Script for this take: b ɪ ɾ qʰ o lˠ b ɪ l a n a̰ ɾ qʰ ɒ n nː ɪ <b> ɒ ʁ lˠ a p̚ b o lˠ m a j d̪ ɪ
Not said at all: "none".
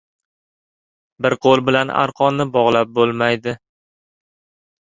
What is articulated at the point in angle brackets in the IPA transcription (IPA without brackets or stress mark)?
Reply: b